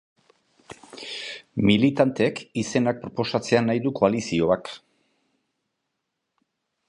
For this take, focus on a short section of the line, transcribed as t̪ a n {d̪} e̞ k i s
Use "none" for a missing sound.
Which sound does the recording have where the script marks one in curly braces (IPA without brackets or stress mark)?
t̪